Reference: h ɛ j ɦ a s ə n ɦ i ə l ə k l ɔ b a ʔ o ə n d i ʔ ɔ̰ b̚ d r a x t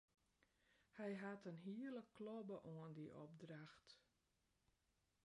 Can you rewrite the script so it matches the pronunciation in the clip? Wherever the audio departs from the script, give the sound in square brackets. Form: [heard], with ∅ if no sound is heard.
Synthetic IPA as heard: h ɛ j ɦ a [t] ə n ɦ i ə l ə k l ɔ b [ə] ʔ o ə n d i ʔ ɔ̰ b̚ d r a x t

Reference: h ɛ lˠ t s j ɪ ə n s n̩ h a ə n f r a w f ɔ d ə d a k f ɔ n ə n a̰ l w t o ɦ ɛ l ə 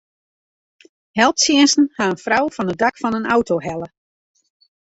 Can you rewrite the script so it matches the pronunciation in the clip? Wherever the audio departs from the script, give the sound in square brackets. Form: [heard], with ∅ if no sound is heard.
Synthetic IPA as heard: h ɛ lˠ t s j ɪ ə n s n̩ h a ə n f r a w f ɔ [n] ə d a k f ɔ n ə n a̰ [∅] w t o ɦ ɛ l ə

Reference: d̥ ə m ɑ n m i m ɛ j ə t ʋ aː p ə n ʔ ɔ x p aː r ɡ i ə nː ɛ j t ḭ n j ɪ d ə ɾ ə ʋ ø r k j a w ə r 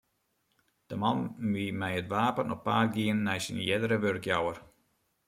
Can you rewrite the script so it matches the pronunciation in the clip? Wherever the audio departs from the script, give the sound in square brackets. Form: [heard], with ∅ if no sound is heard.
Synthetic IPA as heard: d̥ ə m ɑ n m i m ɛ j ə t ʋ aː p ə n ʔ ɔ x p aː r ɡ i ə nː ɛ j [s] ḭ n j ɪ d ə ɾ ə ʋ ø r k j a w ə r

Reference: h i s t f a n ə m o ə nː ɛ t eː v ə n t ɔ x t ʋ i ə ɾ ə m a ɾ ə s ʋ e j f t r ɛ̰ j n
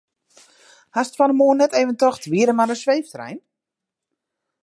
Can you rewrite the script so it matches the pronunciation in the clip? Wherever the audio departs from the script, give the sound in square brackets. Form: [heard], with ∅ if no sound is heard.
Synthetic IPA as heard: h [a] s t f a n ə m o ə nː ɛ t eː v ə n t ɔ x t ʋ i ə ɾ ə m a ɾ ə s ʋ e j f t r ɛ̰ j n

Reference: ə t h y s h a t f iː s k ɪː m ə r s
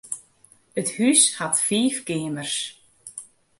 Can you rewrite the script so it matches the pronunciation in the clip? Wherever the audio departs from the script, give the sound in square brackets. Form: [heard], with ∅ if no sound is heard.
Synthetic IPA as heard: ə t h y s h a t f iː [f] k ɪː m ə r s

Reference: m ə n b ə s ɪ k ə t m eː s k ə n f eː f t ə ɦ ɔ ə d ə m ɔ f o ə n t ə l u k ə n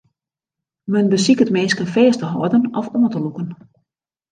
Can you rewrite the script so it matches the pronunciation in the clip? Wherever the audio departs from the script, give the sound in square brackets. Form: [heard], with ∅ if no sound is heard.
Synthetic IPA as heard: m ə n b ə s [i] k ə t m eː s k ə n f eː [s] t ə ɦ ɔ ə d ə [n] ɔ f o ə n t ə l u k ə n

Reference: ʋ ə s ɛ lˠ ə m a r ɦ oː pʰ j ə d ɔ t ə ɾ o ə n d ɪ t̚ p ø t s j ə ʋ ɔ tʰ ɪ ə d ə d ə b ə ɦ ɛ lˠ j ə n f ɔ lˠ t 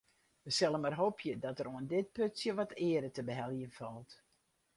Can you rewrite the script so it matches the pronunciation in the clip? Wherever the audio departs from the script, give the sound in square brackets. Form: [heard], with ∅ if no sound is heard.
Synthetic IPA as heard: ʋ ə s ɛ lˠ ə m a r ɦ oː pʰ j ə d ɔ t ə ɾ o ə n d ɪ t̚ p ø t s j ə ʋ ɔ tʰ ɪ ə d ə [t] ə b ə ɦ ɛ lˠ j ə n f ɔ lˠ t

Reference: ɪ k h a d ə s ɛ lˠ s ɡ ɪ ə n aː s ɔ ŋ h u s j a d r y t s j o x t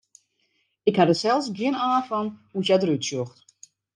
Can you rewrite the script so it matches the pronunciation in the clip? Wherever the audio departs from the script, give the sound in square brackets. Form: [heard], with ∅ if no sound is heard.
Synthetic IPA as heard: ɪ k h a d ə s ɛ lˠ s ɡ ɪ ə n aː [f] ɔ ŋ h u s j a d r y t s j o x t

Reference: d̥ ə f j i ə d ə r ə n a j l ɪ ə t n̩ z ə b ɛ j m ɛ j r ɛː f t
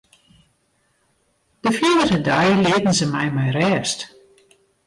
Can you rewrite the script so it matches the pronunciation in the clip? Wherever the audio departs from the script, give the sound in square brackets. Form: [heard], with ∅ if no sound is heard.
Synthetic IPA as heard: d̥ ə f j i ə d ə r ə [d] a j l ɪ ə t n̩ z ə [m] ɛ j m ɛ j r ɛː [s] t

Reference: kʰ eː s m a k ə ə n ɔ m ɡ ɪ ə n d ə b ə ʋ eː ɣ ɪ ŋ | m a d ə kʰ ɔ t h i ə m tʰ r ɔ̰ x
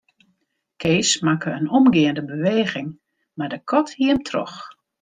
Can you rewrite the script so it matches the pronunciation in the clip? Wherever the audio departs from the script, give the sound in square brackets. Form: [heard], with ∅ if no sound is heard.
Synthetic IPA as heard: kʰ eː s m a k ə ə n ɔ m ɡ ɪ ə n d ə b ə ʋ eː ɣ ɪ ŋ | m a d ə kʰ ɔ t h i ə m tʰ r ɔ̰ x

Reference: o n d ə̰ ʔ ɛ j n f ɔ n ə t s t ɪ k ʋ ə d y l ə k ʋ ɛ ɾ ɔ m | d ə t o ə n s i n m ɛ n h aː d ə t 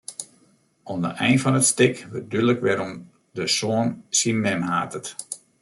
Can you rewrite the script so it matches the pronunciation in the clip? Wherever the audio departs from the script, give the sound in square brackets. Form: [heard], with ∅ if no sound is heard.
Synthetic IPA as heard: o n d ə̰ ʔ ɛ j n f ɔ n ə t s t ɪ k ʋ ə d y l ə k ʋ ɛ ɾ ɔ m | d ə [s] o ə n s i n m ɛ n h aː [t] ə t

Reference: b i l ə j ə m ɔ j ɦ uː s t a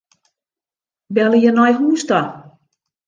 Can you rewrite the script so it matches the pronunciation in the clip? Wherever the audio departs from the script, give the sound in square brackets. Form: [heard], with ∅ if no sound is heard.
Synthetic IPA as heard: b [ɛ] l ə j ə [n] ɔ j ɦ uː s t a

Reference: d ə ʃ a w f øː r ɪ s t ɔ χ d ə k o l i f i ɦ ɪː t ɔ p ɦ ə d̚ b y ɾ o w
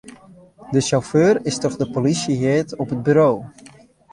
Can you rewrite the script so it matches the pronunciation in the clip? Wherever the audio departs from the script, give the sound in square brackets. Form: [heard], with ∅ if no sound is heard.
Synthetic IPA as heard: d ə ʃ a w f øː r ɪ s t ɔ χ d ə [p] o l i [s] i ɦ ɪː t ɔ p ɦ ə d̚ b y ɾ o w

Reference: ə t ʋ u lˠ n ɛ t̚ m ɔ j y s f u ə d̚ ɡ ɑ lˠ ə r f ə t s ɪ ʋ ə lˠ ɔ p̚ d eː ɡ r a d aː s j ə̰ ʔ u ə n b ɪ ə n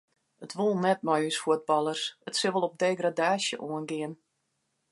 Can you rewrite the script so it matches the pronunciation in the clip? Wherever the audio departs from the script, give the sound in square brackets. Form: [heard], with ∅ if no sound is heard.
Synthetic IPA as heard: ə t ʋ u lˠ n ɛ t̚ m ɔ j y s f u ə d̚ [b] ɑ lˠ ə r [s] ə t s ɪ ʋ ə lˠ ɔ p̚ d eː ɡ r a d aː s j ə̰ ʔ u ə n [ɡ] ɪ ə n

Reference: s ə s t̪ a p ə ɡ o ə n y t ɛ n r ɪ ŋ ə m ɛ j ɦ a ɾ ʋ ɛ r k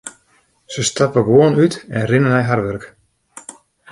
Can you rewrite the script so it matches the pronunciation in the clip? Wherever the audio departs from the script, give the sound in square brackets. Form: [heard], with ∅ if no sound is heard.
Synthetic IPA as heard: s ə s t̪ a p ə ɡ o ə n y t ɛ n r ɪ [n] ə [n] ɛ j ɦ a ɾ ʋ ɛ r k

